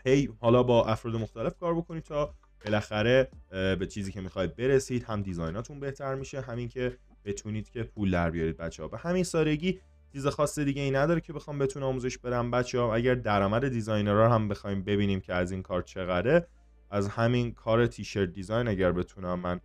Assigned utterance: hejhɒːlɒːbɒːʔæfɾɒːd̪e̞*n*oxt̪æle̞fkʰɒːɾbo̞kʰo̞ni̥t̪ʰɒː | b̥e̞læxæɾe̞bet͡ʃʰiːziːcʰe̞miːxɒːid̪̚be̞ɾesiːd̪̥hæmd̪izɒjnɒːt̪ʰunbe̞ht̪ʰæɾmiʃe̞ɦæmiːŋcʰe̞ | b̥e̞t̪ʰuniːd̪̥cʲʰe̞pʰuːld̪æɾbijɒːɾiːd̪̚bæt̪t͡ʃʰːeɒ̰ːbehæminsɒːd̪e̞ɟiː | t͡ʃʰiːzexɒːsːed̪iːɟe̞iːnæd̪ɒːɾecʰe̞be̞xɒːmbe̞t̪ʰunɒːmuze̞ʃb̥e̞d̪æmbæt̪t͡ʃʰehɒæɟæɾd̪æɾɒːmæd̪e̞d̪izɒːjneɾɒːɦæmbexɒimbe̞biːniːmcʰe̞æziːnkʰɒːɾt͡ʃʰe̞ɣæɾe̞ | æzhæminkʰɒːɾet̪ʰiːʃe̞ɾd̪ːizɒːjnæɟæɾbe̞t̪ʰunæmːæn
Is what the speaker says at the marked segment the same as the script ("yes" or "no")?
no